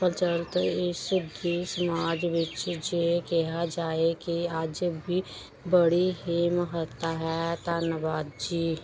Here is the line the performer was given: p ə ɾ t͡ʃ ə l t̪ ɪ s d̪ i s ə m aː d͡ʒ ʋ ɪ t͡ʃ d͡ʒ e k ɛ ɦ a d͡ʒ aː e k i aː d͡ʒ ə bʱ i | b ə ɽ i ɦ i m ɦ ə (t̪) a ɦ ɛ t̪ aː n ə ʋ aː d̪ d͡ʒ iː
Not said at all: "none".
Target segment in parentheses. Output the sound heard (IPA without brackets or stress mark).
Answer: t̪